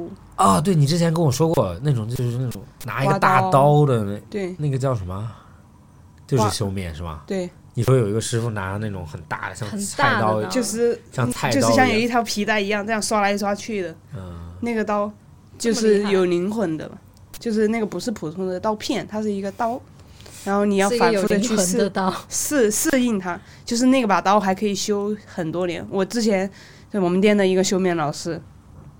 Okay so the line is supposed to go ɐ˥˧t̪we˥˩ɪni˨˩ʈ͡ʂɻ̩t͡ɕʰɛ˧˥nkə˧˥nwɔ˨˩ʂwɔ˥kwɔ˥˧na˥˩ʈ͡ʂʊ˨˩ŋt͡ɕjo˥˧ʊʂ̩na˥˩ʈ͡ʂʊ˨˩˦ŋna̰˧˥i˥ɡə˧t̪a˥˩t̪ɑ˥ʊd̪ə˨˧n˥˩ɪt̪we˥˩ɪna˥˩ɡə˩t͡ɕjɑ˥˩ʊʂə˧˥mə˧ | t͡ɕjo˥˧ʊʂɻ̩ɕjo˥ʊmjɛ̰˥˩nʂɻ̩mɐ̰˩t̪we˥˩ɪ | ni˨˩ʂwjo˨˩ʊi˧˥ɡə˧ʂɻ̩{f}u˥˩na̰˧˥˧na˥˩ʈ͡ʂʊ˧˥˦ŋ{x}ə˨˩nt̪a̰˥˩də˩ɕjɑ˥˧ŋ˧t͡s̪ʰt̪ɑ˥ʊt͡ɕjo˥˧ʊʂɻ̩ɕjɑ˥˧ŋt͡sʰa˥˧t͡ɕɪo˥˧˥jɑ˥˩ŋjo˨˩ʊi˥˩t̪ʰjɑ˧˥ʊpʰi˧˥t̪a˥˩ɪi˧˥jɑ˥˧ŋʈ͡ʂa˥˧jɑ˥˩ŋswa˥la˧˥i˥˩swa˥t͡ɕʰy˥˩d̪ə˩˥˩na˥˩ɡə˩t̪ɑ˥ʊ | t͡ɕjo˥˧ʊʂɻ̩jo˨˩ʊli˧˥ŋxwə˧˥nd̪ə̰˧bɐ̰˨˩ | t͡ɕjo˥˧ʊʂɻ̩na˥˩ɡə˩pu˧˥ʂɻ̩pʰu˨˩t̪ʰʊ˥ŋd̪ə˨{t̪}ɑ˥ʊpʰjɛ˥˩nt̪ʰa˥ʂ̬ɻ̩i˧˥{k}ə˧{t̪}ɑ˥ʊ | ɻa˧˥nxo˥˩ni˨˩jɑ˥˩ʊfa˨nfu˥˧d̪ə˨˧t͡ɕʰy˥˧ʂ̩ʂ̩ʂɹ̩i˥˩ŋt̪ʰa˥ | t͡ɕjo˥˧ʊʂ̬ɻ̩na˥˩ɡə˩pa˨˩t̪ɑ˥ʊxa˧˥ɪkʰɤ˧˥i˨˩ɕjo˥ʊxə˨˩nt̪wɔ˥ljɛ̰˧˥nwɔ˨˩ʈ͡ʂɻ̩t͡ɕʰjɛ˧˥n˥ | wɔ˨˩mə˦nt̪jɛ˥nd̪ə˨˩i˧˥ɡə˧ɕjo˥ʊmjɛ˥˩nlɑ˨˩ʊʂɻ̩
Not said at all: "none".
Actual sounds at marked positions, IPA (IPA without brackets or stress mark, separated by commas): f, x, t̪, ɡ, t̪